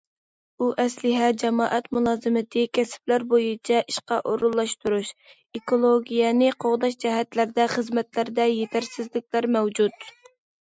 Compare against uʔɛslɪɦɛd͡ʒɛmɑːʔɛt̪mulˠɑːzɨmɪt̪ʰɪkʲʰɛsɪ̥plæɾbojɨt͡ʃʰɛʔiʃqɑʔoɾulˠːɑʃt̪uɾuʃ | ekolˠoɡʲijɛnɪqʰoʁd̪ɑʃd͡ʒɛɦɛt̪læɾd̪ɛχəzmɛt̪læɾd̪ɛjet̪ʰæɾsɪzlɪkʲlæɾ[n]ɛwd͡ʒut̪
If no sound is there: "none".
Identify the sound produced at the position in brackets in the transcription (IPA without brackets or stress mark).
m